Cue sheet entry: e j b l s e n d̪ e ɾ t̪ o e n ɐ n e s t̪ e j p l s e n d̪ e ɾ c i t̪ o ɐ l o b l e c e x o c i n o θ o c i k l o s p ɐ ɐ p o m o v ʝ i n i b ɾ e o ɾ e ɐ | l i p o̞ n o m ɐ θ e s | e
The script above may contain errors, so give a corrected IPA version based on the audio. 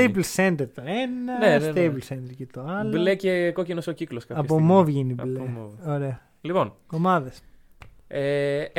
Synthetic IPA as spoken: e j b l s e n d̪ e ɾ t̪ o e n ɐ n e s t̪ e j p l s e n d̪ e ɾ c e t̪ o ɐ l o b l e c e k o c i n o s o c i k l o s k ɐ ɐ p o m o v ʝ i n i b l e o ɾ e ɐ | l i p o̞ n o m ɐ ð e s | e